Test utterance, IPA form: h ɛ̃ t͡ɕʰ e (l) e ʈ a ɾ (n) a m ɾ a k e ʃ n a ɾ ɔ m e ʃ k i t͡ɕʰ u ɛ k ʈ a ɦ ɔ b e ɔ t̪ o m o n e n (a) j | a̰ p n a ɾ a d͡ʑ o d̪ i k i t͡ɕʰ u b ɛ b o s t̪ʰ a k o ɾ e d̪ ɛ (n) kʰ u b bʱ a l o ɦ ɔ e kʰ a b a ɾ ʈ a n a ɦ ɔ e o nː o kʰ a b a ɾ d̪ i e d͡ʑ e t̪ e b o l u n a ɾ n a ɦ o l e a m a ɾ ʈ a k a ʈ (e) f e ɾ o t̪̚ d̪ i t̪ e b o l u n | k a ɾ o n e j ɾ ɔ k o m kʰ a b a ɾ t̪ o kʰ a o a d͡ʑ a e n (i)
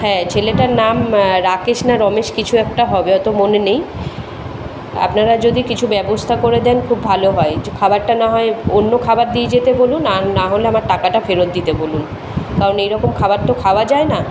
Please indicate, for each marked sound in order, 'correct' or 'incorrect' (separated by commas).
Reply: correct, correct, incorrect, correct, incorrect, incorrect